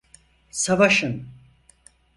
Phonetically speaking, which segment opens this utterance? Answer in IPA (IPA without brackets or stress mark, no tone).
s